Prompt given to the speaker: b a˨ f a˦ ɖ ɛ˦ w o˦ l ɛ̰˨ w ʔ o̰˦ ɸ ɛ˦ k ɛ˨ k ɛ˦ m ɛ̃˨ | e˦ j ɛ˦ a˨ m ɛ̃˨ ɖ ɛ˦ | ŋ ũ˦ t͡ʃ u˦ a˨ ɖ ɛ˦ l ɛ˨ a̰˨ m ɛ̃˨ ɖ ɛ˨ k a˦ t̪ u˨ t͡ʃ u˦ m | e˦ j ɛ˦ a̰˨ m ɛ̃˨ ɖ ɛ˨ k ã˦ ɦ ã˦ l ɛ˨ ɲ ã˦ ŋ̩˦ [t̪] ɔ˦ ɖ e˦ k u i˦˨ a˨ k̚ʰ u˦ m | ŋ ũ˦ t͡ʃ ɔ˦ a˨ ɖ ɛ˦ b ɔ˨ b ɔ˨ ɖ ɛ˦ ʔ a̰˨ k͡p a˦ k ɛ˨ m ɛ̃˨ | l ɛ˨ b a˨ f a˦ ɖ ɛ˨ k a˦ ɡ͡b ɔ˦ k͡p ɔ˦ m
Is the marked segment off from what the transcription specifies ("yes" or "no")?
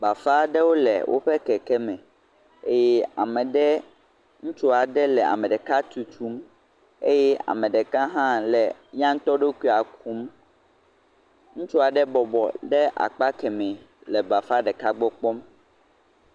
no